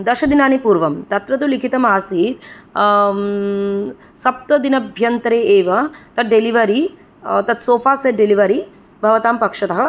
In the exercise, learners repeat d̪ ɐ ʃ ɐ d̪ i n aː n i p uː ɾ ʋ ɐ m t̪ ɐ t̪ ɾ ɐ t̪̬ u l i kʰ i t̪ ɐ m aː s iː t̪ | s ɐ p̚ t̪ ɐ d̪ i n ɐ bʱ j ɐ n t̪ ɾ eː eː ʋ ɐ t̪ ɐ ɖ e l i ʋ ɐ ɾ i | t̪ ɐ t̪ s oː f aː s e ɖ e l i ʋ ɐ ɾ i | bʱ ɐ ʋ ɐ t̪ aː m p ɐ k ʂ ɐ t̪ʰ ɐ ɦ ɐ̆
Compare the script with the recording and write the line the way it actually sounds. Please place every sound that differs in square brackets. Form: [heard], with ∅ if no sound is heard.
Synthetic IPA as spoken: d̪ ɐ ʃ ɐ d̪ i n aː n i p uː ɾ ʋ ɐ m t̪ ɐ t̪ ɾ ɐ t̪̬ u l i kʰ i t̪ ɐ m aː s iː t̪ | s ɐ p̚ t̪ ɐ d̪ i n ɐ bʱ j ɐ n t̪ ɾ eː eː ʋ ɐ t̪ ɐ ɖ e l i ʋ ɐ ɾ i | t̪ ɐ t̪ s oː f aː s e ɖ e l i ʋ ɐ ɾ i | bʱ ɐ ʋ ɐ t̪ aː m p ɐ k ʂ ɐ [t̪] ɐ ɦ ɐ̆